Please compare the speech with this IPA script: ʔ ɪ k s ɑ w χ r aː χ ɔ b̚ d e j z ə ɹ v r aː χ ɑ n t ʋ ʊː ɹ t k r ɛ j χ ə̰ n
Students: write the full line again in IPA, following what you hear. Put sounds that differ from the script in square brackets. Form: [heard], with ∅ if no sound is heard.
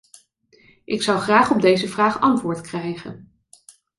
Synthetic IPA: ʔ ɪ k s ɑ w χ r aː χ ɔ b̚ d e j z ə [∅] v r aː χ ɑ n t ʋ ʊː ɹ t k r ɛ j χ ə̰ n